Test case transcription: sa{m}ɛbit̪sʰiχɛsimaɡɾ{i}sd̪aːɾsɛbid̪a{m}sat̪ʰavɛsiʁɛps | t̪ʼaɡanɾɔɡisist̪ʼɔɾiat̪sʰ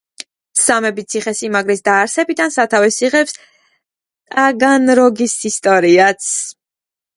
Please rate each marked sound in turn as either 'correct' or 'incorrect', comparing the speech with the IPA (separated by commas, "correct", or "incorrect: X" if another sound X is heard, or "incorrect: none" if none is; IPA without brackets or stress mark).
correct, correct, incorrect: n